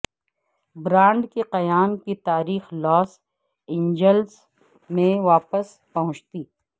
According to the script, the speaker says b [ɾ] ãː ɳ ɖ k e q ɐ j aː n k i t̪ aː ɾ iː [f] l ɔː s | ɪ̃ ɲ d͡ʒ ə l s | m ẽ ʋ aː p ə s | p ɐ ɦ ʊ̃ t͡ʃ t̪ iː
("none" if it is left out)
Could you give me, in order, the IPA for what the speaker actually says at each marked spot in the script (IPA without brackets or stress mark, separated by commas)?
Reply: ɾ, x